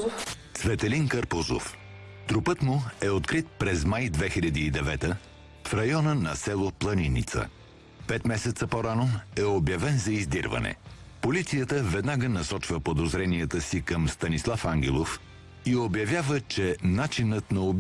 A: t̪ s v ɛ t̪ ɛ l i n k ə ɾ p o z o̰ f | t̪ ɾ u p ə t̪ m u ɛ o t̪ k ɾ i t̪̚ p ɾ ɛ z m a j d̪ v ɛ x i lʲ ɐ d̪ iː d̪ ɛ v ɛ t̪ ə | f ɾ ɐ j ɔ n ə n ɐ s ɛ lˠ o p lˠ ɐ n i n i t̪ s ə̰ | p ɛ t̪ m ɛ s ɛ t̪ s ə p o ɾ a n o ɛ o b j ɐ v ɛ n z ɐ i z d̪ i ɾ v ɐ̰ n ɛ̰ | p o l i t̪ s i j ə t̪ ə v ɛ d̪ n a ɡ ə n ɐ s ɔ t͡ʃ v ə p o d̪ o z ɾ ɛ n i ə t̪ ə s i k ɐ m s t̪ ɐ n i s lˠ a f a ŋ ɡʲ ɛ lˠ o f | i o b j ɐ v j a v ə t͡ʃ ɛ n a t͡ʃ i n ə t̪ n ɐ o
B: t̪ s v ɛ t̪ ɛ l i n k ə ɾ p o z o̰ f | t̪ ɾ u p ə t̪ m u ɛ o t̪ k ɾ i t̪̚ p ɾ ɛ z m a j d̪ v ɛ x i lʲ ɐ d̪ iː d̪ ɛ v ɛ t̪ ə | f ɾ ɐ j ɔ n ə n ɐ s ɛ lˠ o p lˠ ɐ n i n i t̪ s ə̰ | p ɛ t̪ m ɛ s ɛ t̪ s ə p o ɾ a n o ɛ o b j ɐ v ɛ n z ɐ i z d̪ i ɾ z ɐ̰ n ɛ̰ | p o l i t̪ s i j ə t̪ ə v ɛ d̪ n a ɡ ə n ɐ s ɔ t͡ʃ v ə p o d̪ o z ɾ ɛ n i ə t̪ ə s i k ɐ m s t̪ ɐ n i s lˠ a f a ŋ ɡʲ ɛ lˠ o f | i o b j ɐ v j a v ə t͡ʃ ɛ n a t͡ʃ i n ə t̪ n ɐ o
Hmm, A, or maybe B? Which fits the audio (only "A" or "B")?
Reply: A